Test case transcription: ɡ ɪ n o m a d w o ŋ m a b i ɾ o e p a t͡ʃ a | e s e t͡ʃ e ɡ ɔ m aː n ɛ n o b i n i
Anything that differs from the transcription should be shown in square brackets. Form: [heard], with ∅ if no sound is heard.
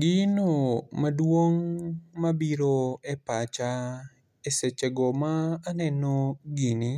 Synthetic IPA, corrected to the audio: ɡ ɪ n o m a d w o ŋ m a b i ɾ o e p a t͡ʃ a | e s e t͡ʃ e ɡ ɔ m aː n ɛ n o [ɡ] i n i